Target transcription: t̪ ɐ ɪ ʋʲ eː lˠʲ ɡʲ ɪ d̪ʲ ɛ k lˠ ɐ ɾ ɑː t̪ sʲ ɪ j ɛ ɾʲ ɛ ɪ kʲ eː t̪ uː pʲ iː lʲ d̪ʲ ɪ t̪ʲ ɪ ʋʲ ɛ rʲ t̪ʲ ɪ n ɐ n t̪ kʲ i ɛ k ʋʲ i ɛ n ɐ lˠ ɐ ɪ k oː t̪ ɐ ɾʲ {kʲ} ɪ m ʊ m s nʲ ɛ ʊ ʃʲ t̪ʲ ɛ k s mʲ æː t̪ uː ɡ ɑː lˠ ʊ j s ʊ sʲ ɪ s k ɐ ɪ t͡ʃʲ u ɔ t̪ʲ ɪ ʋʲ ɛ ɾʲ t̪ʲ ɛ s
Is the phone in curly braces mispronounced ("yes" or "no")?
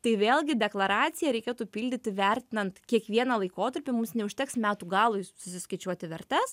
yes